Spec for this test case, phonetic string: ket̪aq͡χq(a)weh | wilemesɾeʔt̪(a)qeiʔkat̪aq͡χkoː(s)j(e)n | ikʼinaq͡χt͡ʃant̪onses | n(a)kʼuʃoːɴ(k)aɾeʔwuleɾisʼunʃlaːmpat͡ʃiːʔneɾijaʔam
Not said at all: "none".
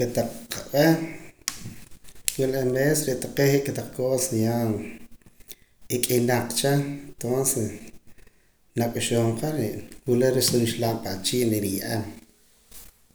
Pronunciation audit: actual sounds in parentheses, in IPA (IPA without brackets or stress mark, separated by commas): a, a, s, a, a, q